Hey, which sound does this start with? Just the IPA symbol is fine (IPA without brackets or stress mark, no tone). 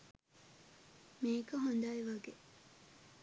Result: m